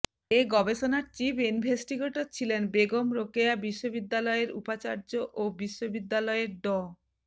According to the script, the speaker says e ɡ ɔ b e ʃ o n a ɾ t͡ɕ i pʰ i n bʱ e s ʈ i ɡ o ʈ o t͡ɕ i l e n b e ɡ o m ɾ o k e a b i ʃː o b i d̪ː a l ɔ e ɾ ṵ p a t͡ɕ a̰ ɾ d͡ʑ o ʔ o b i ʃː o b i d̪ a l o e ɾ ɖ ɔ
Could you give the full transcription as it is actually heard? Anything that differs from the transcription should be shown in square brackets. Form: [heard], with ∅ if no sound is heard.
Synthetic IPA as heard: e ɡ ɔ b e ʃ o n a ɾ t͡ɕ i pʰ i n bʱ e s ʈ i ɡ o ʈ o [t͡ɕʰ] i l e n b e ɡ o m ɾ o k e a b i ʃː o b i d̪ː a l ɔ e ɾ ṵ p a t͡ɕ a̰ ɾ d͡ʑ o ʔ o b i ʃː o b i [d̪ː] a l [ɔ] e ɾ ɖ ɔ